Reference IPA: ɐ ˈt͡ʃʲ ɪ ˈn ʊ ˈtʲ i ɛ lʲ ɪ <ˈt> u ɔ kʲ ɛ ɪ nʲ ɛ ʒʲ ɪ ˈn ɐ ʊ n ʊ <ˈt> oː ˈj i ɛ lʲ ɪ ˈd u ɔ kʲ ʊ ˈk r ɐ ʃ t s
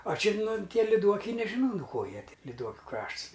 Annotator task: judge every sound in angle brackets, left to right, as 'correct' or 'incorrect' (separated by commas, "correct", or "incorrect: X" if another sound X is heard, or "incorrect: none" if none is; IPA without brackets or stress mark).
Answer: incorrect: d, incorrect: k